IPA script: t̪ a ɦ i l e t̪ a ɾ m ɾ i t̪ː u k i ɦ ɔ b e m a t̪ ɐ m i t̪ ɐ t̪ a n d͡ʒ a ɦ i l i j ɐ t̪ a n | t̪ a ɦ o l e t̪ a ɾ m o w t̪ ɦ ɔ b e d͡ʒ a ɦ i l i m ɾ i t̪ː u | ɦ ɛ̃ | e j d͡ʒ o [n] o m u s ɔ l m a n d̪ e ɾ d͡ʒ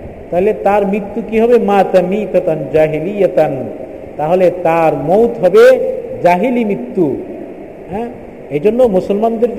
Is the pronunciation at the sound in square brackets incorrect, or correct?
incorrect